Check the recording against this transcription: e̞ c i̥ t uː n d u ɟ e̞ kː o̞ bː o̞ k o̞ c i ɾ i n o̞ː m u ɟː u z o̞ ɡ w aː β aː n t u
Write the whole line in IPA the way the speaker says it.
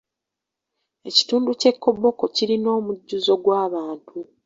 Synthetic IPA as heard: e̞ c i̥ t uː n d u c e̞ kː o̞ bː o̞ k o̞ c i ɾ i n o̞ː m u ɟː u z o̞ ɡ w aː β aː n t u